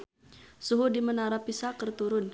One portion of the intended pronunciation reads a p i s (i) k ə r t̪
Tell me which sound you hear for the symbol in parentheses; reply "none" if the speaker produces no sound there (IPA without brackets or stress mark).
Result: a